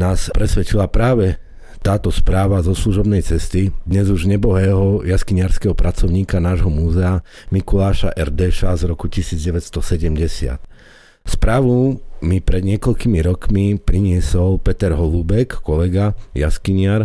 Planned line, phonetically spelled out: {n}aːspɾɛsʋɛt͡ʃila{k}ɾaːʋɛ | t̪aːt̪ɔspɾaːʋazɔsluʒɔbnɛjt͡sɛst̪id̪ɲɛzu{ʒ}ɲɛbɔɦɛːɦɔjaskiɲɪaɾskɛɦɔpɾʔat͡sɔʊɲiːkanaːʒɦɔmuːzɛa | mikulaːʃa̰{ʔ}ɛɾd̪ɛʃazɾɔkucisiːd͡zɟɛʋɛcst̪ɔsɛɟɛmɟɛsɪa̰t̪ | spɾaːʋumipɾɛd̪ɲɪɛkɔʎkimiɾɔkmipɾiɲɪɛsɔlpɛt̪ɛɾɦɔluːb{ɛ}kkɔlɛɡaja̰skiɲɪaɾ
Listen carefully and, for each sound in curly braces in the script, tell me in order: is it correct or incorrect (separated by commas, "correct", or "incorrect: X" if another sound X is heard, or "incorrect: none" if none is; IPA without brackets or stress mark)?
correct, incorrect: p, correct, correct, correct